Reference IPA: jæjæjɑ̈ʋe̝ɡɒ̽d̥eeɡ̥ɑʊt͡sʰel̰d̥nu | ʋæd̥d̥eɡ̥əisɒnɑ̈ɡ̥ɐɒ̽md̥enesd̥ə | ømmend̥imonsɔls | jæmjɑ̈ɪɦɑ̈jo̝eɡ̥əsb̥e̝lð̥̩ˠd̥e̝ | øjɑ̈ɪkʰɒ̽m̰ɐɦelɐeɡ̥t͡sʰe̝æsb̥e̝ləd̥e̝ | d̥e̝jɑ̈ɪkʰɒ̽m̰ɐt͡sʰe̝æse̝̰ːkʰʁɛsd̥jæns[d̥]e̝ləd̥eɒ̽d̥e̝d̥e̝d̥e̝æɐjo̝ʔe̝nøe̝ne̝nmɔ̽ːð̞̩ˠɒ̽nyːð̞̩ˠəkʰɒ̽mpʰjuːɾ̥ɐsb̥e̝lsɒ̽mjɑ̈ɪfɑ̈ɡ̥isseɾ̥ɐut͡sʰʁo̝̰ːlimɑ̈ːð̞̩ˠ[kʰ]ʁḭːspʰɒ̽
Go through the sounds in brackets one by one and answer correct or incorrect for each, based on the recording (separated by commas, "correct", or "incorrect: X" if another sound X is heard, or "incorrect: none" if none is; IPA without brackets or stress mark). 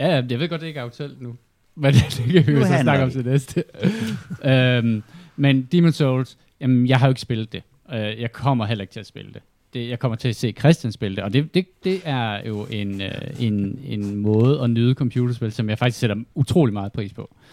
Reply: incorrect: b̥, incorrect: pʰ